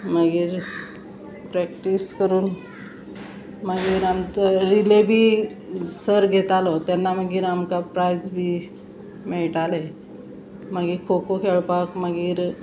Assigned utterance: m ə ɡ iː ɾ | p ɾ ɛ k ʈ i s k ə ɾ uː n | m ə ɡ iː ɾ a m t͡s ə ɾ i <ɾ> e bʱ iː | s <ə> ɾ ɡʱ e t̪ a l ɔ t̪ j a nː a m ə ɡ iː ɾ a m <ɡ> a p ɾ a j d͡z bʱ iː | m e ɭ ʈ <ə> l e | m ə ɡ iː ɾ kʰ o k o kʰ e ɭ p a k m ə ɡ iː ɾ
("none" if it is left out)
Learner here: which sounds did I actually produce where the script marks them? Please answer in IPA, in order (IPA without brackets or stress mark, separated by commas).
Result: l, ə, k, a